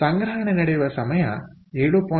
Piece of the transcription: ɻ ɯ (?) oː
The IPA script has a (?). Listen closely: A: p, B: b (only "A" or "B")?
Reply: A